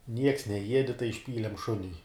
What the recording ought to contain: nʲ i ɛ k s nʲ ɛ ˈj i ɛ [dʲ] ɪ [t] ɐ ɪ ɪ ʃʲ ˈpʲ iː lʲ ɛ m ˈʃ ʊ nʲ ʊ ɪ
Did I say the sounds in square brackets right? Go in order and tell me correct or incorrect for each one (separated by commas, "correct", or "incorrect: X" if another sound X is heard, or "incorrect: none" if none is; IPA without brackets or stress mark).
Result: correct, correct